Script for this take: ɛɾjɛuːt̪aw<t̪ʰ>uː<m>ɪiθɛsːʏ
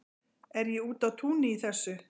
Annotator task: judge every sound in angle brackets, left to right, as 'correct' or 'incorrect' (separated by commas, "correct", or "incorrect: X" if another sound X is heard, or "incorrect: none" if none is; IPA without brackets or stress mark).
correct, incorrect: n